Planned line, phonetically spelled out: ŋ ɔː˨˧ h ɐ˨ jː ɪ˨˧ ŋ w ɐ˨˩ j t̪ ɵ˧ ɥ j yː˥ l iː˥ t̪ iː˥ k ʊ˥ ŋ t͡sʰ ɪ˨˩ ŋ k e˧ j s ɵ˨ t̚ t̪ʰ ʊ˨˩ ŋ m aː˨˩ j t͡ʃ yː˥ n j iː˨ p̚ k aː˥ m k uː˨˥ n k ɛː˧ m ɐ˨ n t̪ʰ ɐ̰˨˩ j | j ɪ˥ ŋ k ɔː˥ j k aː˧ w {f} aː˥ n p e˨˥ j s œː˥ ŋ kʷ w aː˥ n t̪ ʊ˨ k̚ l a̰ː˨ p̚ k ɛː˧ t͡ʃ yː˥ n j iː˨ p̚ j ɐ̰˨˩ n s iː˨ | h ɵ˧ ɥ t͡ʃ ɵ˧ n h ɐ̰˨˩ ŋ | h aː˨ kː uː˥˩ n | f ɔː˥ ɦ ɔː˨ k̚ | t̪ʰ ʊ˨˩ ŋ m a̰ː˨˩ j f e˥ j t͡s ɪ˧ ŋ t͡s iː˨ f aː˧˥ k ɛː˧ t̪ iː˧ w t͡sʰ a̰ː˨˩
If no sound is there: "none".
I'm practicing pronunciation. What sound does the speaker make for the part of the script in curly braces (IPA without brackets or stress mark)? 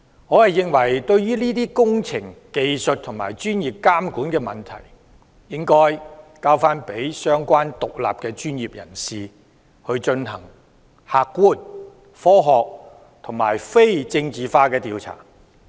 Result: f